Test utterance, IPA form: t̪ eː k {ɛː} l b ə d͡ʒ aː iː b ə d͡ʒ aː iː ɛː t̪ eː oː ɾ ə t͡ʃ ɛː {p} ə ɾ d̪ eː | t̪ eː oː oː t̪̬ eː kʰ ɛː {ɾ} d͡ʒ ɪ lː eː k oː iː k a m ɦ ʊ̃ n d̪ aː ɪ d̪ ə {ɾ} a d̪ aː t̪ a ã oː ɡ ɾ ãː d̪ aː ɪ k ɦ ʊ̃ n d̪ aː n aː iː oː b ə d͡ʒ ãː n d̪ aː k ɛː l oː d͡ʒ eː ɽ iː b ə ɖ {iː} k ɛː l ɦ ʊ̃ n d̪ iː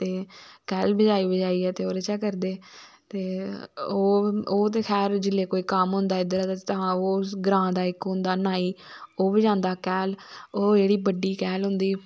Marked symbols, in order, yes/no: yes, no, yes, yes, yes

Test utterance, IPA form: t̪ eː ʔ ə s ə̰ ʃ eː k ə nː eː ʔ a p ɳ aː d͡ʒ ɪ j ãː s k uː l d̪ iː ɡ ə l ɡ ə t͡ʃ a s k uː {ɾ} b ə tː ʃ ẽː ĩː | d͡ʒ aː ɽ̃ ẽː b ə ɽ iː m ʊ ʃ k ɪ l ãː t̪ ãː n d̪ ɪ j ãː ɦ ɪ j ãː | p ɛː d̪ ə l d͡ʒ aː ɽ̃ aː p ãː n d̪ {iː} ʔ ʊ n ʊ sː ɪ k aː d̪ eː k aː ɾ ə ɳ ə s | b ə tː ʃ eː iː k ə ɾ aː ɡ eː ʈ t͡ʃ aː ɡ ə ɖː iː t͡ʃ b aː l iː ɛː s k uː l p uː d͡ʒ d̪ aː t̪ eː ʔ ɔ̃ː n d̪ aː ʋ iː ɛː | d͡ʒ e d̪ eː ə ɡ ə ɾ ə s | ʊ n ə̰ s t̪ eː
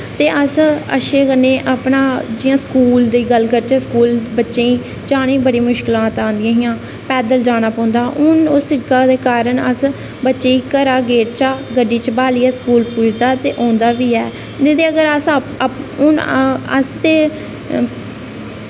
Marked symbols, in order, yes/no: no, no

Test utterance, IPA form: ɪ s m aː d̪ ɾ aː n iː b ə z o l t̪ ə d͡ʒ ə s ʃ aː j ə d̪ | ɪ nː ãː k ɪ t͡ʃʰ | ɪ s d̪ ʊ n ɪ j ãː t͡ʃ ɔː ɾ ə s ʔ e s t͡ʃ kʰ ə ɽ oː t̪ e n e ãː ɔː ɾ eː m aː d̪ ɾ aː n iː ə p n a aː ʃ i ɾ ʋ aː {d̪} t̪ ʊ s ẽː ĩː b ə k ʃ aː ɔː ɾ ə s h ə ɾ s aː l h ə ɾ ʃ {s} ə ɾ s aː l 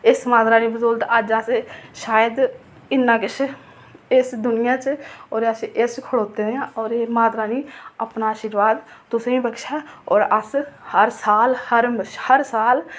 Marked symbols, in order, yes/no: yes, no

